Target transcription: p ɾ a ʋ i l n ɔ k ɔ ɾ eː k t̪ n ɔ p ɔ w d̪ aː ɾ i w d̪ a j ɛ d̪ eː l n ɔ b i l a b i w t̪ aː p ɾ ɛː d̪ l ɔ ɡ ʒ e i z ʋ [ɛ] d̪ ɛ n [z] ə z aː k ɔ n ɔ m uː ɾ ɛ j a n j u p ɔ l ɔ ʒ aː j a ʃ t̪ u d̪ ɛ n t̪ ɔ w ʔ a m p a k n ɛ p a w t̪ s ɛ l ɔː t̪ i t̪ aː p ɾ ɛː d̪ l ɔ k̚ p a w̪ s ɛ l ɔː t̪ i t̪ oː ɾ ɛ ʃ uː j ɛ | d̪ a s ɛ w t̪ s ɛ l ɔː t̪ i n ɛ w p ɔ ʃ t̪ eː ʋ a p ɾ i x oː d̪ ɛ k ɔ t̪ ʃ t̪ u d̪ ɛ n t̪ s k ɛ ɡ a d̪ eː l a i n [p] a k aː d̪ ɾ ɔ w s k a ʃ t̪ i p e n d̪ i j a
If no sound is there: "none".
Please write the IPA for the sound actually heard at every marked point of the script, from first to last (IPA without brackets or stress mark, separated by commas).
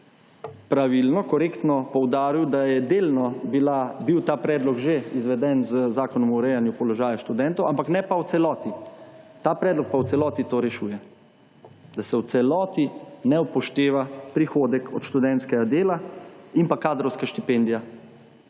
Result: ɛ, z, p